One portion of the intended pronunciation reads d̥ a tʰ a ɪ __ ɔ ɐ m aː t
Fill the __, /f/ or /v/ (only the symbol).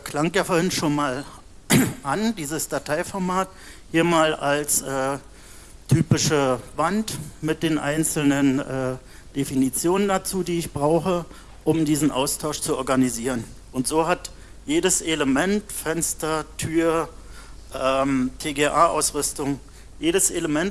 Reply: f